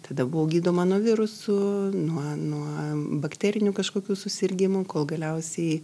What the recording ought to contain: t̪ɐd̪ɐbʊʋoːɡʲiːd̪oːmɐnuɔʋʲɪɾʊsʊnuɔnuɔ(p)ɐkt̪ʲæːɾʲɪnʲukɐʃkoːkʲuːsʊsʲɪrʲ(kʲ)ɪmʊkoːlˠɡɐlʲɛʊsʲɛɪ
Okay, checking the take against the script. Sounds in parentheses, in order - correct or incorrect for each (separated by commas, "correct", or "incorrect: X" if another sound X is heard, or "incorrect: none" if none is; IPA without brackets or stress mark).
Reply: incorrect: b, incorrect: ɡʲ